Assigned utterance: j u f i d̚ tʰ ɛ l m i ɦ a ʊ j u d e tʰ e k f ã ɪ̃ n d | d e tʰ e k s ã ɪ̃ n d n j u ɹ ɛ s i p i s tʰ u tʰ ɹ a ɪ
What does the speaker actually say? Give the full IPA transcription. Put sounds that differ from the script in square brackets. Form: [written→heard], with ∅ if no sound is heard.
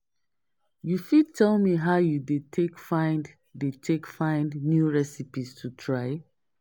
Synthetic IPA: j u f i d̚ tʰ ɛ l m i ɦ a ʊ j u d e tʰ e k f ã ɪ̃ n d | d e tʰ e k [s→f] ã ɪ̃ n d n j u ɹ ɛ s i p i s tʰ u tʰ ɹ a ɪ

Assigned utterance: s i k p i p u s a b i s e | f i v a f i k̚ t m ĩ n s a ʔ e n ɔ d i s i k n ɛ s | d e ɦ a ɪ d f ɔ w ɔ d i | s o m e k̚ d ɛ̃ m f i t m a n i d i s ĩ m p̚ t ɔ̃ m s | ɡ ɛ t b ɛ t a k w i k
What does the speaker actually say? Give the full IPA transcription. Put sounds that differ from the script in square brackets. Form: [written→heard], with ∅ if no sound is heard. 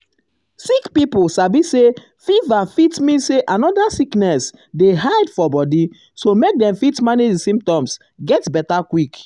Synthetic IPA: s i k p i p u s a b i s e | f i v a f i [k̚→∅] t m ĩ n s [a→e] ʔ [e→a] n ɔ d [i→a] s i k n ɛ s | d e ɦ a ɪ d f ɔ [w→b] ɔ d i | s o m e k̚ d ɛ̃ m f i t m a n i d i s ĩ m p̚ t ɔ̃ m s | ɡ ɛ t b ɛ t a k w i k

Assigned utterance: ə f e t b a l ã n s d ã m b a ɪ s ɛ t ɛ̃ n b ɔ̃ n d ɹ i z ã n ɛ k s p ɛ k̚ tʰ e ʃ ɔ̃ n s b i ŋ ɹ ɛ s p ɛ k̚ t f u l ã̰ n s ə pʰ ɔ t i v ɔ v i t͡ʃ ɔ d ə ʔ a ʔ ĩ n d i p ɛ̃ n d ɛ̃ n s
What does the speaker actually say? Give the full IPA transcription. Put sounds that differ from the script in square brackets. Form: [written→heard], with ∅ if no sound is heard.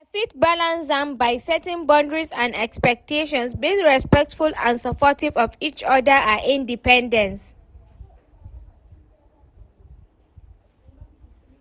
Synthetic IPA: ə f [e→i] t b a l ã n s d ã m b a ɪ s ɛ t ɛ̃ n b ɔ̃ n d ɹ i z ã n ɛ k s p ɛ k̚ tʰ e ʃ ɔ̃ n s b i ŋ ɹ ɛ s p ɛ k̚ t f u l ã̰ n s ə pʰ ɔ t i v ɔ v i t͡ʃ ɔ d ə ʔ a ʔ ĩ n d i p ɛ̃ n d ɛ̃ n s

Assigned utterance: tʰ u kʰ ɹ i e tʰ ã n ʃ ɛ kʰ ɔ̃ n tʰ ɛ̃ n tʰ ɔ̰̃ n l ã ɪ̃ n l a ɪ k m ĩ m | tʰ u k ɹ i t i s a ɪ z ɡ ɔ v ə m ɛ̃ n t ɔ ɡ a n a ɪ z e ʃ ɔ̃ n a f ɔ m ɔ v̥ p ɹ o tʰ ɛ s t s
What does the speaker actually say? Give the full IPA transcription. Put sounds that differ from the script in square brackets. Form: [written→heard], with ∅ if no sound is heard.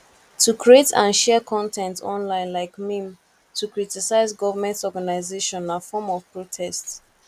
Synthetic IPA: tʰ u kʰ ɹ i e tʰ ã n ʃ ɛ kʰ ɔ̃ n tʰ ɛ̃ n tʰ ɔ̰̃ n l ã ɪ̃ n l a ɪ k m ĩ m | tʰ u k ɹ i t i s a ɪ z ɡ ɔ v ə m ɛ̃ n t ɔ ɡ a n a ɪ z e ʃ ɔ̃ n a f ɔ m ɔ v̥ p ɹ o tʰ ɛ s t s

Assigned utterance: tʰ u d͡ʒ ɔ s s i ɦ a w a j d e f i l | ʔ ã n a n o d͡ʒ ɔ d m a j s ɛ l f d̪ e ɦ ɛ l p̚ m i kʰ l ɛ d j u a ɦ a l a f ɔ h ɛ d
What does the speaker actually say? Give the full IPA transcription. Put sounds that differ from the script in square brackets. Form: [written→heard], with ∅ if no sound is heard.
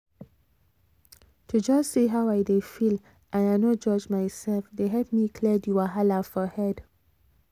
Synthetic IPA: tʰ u d͡ʒ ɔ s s i ɦ a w a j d e f i l | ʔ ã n a n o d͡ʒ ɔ [d→d͡ʒ] m a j s ɛ l f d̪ e ɦ ɛ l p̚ m i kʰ l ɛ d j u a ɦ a l a f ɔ h ɛ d

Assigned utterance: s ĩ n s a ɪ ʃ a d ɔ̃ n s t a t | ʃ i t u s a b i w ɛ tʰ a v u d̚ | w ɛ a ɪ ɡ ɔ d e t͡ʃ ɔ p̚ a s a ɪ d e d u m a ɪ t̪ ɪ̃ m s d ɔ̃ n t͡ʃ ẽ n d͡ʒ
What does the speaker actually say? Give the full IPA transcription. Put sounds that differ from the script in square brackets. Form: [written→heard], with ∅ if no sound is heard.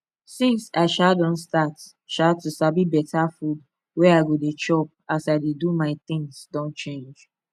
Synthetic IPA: s ĩ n s a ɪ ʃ a d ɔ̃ n s t a t | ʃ [i→a] t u s a b i [w→b] ɛ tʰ a [v→f] u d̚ | w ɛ a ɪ ɡ [ɔ→o] d e t͡ʃ ɔ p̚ a s a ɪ d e d u m a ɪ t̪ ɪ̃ [m→ŋ] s d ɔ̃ n t͡ʃ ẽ n d͡ʒ

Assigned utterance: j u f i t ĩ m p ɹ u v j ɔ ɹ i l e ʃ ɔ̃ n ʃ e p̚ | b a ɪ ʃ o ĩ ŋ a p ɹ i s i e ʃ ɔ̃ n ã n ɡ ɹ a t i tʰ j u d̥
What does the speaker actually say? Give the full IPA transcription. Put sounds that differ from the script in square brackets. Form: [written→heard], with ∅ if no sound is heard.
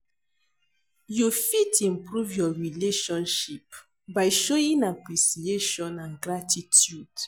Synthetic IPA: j u f i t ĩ m p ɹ u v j ɔ ɹ i l e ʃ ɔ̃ n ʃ [e→i] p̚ | b a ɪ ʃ o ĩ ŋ a p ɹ i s i e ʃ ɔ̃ n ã n ɡ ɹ a t i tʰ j u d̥

